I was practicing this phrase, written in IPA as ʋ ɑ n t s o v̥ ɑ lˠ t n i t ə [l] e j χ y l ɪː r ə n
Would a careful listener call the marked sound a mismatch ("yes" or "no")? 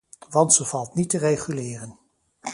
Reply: yes